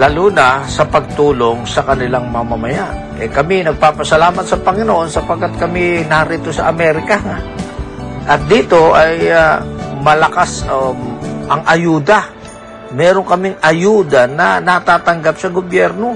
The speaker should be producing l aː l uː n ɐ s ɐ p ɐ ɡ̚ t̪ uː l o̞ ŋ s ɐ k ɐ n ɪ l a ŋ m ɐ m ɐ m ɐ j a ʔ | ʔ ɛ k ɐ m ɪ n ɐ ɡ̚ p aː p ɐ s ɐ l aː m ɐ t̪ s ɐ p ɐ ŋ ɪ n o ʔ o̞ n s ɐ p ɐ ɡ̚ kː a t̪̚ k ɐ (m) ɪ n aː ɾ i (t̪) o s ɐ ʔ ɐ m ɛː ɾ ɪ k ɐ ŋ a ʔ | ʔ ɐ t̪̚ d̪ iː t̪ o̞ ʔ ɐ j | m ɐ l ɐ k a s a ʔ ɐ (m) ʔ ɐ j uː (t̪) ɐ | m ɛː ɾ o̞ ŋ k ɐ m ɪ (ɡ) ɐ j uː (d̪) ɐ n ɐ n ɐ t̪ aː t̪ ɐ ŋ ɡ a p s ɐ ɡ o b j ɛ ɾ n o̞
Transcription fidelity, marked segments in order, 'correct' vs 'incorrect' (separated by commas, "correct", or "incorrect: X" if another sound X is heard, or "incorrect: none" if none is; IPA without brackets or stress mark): correct, correct, incorrect: ŋ, incorrect: d̪, incorrect: ŋ, correct